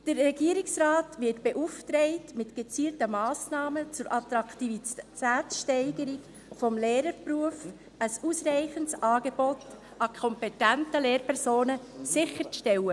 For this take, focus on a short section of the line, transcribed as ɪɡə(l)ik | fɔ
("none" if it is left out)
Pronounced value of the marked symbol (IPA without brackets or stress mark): ɾ